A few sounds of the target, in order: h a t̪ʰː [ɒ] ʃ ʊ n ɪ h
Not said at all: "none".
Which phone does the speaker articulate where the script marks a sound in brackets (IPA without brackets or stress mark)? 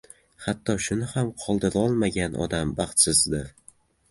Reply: ɒ